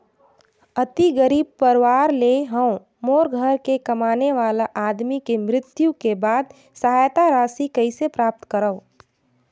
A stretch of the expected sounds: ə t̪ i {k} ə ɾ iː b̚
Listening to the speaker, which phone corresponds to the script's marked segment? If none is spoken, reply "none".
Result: ɡ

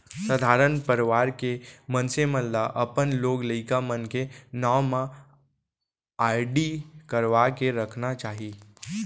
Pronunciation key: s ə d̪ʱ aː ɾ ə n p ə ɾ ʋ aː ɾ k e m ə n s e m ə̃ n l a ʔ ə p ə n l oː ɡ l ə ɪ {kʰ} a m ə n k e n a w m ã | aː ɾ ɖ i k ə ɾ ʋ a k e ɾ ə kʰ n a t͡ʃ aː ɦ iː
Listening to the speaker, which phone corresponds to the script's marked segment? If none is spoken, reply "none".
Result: k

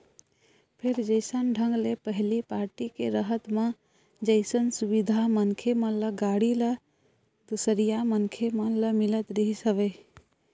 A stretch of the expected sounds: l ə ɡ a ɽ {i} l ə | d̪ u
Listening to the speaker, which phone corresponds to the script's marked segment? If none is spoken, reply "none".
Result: i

